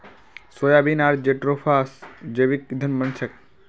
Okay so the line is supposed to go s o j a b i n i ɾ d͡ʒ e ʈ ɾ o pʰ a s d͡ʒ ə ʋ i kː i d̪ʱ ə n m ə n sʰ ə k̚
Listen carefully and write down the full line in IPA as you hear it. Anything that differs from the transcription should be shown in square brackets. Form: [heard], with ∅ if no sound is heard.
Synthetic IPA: s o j a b i n [a] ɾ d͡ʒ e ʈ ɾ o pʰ a s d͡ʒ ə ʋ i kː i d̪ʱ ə n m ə n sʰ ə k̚